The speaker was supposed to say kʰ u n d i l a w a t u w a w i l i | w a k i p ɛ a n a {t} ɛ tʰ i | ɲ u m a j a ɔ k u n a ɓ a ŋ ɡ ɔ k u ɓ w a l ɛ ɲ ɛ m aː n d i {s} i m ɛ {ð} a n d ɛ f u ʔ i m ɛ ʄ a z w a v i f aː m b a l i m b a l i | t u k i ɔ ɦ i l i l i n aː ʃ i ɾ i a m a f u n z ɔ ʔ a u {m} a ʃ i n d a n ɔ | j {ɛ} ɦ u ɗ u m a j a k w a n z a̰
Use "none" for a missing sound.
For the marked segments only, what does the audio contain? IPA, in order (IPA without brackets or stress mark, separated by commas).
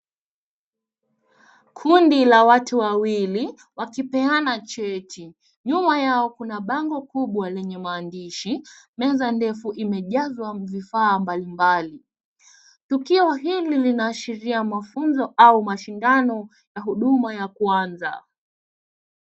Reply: t͡ʃ, ʃ, z, m, a